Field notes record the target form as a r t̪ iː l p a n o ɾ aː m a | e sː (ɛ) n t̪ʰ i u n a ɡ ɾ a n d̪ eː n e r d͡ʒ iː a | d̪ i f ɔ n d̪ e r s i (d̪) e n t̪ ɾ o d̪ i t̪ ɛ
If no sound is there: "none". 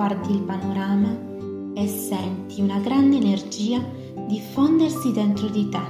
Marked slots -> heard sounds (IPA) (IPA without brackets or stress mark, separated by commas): ɛ, d̪